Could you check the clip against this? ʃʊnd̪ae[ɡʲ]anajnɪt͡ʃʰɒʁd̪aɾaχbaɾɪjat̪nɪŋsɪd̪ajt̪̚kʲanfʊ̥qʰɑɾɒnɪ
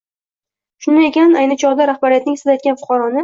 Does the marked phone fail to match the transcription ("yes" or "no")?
yes